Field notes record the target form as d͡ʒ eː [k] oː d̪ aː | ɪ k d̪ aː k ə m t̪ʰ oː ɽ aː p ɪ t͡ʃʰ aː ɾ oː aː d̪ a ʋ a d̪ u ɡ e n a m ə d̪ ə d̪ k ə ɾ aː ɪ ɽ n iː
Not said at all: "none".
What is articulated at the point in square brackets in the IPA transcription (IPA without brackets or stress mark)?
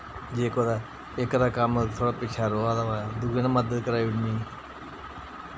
k